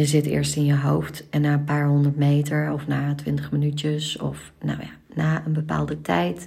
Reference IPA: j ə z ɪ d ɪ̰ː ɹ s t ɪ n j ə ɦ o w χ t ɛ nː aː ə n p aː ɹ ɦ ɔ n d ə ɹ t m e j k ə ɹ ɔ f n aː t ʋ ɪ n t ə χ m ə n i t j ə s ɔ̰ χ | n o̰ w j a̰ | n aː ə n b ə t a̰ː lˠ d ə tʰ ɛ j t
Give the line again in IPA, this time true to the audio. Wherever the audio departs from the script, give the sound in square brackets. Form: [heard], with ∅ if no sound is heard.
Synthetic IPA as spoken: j ə z ɪ [t] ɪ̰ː ɹ s t ɪ n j ə ɦ o w [f] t ɛ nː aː ə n p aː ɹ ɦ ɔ n d ə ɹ t m e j [t] ə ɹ ɔ f n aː t ʋ ɪ n t ə χ m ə n [y] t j ə s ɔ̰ [f] | n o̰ w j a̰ | n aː ə n b ə [p] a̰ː lˠ d ə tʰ ɛ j t